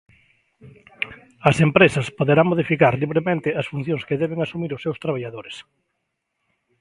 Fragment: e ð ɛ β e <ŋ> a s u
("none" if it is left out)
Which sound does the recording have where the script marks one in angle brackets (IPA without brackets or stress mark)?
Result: ŋ